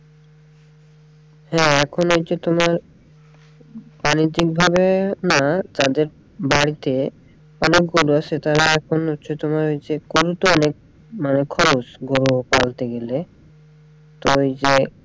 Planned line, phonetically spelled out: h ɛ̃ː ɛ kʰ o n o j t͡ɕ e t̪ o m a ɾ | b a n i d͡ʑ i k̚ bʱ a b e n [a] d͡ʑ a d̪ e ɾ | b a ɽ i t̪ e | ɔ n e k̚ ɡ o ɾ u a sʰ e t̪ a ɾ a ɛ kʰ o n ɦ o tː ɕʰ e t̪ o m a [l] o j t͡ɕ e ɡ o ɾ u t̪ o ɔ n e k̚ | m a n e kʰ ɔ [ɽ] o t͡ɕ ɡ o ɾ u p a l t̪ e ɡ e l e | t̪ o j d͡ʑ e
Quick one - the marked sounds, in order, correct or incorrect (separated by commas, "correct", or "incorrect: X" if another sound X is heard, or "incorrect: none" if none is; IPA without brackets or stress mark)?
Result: correct, incorrect: ɾ, incorrect: ɾ